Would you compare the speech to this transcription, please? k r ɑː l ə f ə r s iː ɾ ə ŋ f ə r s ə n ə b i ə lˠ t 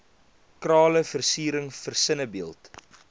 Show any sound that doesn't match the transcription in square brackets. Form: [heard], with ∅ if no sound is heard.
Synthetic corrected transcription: k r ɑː l ə f ə r s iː ɾ ə ŋ f ə r s ə n ə b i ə lˠ t